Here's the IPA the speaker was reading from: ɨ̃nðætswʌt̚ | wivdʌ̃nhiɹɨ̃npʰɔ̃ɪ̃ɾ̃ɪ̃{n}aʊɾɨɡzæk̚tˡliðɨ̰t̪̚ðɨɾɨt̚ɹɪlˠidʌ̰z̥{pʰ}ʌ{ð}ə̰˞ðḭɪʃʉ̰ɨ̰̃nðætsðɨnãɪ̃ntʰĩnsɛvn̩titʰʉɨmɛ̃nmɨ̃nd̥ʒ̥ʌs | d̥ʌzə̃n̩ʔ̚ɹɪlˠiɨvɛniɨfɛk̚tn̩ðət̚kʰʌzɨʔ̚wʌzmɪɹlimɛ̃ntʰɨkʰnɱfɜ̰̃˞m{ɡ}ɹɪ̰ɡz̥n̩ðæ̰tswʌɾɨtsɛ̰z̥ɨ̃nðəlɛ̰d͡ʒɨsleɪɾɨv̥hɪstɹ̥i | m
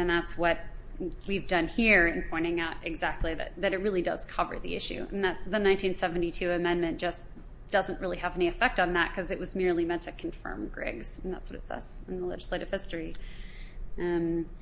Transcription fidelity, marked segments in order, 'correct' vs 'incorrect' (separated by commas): incorrect, incorrect, incorrect, correct